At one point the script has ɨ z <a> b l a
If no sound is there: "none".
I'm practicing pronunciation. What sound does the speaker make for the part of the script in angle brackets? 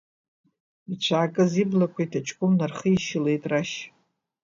i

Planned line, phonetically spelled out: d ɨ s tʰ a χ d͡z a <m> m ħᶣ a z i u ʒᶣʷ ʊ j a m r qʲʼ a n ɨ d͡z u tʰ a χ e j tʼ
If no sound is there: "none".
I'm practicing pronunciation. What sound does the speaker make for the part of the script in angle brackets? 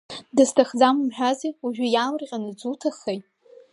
m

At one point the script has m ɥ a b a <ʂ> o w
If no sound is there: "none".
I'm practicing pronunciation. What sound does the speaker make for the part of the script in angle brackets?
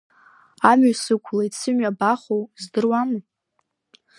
χ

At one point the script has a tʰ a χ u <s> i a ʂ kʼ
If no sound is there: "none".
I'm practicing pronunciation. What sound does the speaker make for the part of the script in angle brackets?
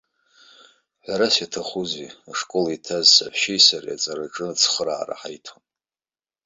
z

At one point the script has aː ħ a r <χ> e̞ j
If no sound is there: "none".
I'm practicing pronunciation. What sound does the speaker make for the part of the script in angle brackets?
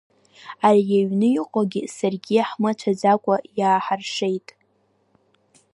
ʂ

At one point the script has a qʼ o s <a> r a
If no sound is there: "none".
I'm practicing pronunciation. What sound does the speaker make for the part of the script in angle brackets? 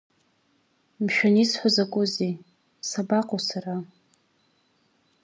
a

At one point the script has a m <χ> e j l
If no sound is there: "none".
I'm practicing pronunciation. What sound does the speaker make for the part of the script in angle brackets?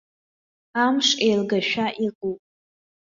ʂ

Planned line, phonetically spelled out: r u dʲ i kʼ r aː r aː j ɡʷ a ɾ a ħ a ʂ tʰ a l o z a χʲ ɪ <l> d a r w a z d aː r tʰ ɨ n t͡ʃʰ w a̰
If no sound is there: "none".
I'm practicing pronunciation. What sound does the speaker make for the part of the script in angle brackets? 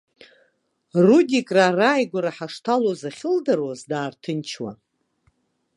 l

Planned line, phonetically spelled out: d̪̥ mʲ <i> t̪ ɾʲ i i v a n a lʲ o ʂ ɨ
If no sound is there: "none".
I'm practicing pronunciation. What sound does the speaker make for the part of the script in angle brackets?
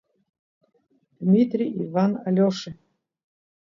i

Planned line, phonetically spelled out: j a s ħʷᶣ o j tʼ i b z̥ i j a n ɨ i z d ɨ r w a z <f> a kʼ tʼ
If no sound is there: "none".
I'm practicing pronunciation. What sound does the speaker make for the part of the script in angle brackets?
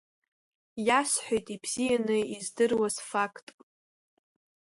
f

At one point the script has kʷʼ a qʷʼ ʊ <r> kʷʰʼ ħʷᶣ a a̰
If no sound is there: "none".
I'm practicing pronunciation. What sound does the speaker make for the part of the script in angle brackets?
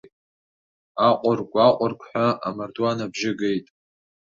r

